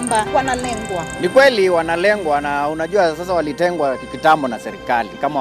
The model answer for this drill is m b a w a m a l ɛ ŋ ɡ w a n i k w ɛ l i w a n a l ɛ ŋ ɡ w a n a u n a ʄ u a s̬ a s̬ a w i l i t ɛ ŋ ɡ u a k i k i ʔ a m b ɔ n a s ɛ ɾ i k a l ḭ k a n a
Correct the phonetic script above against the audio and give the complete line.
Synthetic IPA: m b a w a n a l ɛ ŋ ɡ w a n i k w ɛ l i w a n a l ɛ ŋ ɡ w a n a u n a ʄ u a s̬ a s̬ a w a l i t ɛ ŋ ɡ w a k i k i t a m b ɔ n a s ɛ ɾ i k a l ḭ k a m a